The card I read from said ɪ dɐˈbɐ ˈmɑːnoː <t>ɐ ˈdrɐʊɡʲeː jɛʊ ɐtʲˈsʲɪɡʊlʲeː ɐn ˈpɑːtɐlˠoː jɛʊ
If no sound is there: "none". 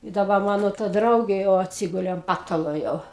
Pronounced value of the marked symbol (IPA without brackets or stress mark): t